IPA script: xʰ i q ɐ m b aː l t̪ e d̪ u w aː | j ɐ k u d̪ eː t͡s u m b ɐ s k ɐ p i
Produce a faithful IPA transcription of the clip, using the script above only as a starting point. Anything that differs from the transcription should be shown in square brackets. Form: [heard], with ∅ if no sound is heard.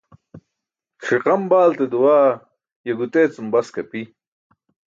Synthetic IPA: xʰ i q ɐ m b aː l t̪ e d̪ u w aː | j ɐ [ɡ] u [t̪] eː t͡s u m b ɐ s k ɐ p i